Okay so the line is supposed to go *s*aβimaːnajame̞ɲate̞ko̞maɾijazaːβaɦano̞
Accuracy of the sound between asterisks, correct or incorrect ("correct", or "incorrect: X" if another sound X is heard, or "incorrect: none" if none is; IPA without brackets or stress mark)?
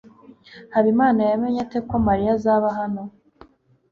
incorrect: h